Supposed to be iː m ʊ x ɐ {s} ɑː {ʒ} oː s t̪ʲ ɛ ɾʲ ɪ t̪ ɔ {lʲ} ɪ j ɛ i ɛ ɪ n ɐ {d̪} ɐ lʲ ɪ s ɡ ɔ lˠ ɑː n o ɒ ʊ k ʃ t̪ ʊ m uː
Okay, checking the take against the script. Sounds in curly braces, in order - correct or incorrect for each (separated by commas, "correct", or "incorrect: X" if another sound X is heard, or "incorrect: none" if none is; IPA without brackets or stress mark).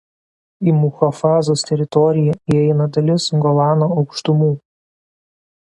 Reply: incorrect: f, incorrect: z, incorrect: ɾʲ, correct